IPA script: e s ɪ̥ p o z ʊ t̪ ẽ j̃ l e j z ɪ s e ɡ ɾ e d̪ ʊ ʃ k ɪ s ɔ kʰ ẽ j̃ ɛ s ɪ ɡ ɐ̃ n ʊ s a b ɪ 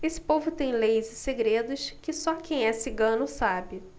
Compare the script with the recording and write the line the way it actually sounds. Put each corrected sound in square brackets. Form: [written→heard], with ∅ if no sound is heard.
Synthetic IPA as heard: e s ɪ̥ p o [z→v] ʊ t̪ ẽ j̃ l e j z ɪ s e ɡ ɾ e d̪ ʊ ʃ k ɪ s ɔ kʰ ẽ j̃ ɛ s ɪ ɡ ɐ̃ n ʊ s a b ɪ